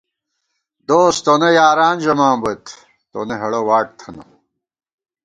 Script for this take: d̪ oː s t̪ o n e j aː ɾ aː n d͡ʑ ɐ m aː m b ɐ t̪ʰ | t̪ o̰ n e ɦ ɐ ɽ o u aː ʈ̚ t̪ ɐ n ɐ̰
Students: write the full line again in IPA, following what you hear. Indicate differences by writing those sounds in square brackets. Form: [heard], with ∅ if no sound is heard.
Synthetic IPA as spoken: d̪ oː s t̪ o n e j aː ɾ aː n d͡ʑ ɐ m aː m b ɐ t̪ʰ | t̪ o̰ n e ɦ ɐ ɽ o [w] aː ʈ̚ [t̪ʰ] ɐ n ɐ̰